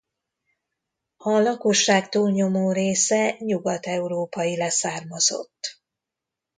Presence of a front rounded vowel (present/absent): absent